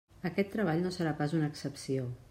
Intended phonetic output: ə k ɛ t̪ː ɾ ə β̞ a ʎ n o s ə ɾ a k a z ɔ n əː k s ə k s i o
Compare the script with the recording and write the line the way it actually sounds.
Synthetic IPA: ə k ɛ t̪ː ɾ ə β̞ a ʎ n o s ə ɾ a p a z u n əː k s ə p s i o